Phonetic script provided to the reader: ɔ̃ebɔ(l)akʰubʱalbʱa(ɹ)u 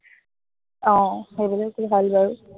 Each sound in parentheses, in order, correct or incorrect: correct, correct

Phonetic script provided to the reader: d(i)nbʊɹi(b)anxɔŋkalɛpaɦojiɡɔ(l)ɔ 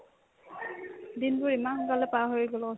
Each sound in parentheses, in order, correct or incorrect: correct, incorrect: m, correct

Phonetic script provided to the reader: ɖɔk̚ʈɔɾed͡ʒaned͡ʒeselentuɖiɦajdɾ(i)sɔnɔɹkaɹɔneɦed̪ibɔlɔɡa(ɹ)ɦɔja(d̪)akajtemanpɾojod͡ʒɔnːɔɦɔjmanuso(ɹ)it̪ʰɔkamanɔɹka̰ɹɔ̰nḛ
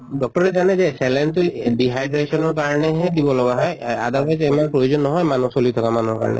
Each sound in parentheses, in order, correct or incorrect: incorrect: e, incorrect: none, correct, incorrect: l

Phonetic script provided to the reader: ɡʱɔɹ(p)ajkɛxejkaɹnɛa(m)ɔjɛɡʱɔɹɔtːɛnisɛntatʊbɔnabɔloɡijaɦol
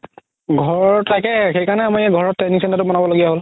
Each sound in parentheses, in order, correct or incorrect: incorrect: t, correct

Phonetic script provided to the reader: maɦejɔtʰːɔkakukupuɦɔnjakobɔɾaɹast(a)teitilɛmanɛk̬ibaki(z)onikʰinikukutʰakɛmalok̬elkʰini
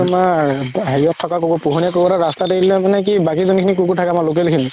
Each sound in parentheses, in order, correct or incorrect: correct, correct

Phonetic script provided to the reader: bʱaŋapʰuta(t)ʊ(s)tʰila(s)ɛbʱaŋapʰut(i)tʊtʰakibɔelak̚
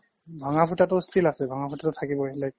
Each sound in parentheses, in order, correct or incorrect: correct, correct, correct, incorrect: a

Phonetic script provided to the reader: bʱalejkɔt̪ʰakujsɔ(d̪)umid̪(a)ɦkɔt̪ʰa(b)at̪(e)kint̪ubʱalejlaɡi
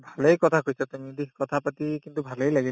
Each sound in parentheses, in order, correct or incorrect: incorrect: t̪, incorrect: i, incorrect: p, incorrect: i

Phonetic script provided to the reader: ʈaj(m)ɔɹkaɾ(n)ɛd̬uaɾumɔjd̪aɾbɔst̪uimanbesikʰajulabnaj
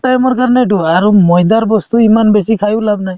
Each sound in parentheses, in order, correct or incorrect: correct, correct

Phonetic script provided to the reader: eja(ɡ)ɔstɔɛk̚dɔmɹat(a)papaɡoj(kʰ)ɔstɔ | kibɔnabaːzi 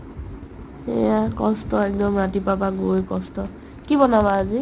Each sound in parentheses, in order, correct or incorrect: incorrect: k, incorrect: i, incorrect: k

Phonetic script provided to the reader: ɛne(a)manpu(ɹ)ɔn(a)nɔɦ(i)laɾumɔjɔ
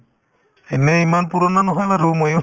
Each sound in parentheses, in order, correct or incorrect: incorrect: i, incorrect: ɾ, correct, incorrect: a

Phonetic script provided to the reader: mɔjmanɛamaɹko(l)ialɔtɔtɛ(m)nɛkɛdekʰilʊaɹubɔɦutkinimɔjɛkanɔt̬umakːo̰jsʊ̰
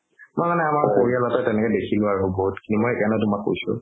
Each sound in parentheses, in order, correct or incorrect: incorrect: ɹ, incorrect: none

